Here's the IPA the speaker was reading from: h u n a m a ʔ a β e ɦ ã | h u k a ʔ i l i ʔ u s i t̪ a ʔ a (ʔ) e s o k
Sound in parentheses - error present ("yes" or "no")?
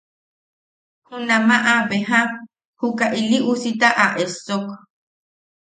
no